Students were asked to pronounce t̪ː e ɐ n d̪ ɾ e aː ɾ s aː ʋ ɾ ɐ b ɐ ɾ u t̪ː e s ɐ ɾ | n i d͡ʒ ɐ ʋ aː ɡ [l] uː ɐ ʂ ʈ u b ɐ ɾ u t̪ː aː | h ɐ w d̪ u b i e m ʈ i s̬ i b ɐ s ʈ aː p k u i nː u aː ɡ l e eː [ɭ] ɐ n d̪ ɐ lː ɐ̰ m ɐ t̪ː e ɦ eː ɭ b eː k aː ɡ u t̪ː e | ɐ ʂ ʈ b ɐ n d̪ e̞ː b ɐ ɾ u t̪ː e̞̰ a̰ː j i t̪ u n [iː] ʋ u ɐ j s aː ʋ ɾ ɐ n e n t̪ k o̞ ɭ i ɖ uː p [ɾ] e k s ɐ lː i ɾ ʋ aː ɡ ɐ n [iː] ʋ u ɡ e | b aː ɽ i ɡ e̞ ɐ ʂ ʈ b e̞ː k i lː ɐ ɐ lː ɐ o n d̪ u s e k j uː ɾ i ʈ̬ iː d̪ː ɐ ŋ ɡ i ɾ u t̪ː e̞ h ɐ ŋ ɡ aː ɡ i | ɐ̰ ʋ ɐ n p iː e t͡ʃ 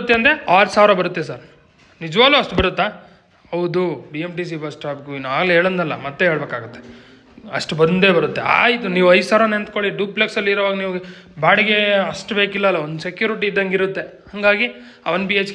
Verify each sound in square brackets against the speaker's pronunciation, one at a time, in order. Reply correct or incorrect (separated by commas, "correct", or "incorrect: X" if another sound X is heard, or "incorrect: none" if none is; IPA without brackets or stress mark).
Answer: correct, correct, correct, incorrect: l, correct